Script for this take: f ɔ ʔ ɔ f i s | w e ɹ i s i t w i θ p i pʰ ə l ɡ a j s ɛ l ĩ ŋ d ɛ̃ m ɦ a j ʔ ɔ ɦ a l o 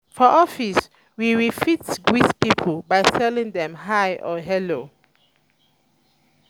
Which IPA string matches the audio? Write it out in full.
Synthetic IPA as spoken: f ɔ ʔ ɔ f i s | w i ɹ i f i t w i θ p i pʰ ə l b a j s ɛ l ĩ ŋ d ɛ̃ m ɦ a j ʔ ɔ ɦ ɛ l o